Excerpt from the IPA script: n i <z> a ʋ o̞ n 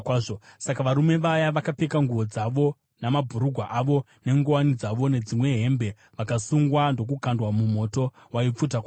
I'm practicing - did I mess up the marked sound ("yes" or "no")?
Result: yes